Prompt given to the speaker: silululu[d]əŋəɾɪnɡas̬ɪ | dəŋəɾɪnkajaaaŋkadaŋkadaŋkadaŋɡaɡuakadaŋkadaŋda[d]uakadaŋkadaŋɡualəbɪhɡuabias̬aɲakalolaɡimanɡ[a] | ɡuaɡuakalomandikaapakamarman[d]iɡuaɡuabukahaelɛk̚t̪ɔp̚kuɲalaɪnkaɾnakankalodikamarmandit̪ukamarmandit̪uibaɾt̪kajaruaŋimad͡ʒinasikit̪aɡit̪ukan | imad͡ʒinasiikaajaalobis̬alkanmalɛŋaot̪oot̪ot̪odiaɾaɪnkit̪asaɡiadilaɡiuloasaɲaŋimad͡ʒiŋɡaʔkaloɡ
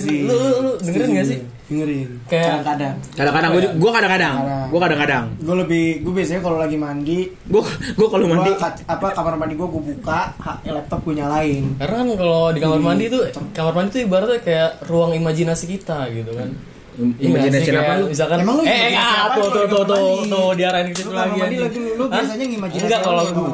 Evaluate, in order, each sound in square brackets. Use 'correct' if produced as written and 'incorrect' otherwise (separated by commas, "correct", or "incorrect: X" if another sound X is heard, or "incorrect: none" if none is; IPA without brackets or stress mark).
correct, incorrect: ɡ, incorrect: i, correct